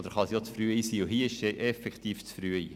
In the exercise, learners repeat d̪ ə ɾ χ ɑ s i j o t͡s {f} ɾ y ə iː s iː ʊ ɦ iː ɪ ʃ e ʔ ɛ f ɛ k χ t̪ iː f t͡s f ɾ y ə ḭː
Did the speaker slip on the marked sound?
no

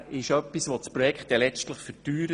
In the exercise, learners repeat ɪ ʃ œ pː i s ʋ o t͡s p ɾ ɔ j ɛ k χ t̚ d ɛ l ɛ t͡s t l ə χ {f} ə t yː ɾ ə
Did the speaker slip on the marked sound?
no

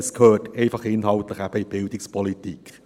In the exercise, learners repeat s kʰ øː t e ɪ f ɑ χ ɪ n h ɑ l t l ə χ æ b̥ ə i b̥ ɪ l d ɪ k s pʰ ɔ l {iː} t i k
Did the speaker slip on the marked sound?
yes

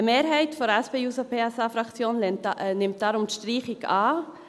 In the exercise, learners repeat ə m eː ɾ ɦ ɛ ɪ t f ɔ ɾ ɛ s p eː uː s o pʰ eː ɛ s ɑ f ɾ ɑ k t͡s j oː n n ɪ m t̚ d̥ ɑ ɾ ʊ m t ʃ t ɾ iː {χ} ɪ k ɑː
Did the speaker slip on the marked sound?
no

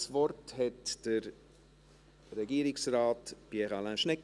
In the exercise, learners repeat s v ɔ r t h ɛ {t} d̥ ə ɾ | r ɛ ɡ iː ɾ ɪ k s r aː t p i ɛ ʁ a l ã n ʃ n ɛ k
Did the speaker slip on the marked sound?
no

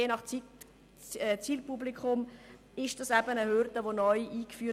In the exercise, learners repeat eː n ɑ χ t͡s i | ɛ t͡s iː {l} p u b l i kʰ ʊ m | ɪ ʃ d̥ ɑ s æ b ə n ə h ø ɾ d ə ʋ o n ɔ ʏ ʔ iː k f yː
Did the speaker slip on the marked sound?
no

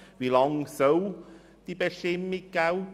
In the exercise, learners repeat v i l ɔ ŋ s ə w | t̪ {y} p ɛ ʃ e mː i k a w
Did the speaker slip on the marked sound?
yes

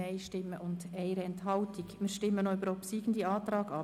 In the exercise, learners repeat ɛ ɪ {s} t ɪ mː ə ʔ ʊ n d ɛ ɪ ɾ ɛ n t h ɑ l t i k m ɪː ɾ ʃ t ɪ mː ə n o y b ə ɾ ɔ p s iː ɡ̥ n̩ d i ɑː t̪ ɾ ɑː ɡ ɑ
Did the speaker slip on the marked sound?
yes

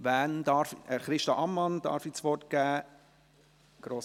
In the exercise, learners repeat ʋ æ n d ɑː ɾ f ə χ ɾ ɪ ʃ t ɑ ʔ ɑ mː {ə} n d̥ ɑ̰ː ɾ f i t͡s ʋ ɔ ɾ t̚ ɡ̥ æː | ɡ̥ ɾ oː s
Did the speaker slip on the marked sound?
yes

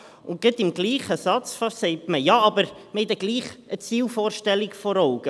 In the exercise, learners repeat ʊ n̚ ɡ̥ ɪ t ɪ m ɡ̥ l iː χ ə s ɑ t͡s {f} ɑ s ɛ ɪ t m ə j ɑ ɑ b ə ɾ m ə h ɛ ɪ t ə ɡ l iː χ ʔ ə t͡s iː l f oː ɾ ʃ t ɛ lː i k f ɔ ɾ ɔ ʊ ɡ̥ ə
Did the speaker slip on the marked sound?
no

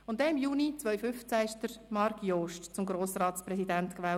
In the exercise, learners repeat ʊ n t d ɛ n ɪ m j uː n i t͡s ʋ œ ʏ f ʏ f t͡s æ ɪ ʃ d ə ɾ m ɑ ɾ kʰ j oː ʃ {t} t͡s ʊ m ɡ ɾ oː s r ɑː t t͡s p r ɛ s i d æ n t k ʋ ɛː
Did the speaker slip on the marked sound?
no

